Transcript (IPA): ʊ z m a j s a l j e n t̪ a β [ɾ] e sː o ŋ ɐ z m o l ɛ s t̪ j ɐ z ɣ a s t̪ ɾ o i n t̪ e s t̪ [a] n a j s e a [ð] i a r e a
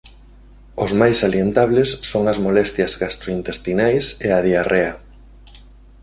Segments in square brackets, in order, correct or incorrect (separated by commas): incorrect, incorrect, correct